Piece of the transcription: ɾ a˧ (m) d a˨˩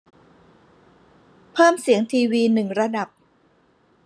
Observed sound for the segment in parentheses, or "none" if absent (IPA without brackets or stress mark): none